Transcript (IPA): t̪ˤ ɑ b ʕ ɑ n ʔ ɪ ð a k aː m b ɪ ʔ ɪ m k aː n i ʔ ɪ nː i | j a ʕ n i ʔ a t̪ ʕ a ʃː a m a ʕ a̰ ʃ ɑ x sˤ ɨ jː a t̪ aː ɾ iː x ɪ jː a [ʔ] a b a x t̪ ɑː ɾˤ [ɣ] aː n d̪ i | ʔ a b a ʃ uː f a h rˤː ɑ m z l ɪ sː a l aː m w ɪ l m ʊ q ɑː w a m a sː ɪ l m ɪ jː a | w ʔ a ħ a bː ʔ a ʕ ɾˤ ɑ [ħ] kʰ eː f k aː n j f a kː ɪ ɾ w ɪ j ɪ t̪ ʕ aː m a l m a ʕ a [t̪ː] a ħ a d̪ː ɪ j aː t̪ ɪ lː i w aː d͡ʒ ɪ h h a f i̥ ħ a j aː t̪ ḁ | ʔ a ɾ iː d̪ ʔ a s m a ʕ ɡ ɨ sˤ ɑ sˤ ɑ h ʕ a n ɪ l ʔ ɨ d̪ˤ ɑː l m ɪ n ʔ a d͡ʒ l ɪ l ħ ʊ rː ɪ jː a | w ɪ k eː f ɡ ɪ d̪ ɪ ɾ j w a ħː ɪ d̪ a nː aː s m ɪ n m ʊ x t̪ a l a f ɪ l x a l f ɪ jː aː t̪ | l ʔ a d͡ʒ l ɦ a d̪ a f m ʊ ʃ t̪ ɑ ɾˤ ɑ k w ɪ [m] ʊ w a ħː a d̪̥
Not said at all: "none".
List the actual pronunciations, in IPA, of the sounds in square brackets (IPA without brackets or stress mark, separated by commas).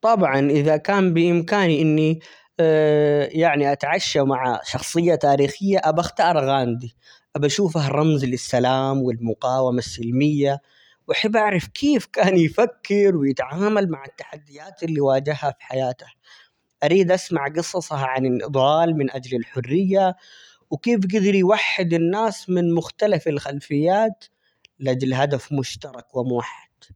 ʔ, ɣ, f, t̪ː, m